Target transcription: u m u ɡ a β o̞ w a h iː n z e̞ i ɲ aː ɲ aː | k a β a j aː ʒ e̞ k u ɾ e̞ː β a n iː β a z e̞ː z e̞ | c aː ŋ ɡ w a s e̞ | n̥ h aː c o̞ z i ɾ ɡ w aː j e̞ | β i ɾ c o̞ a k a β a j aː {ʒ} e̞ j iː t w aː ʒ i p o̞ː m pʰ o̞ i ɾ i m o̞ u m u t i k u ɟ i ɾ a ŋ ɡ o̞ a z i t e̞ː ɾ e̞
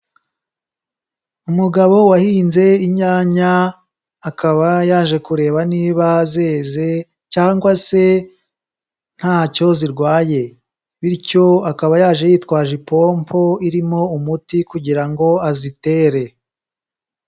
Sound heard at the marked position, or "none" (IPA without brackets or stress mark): ʒ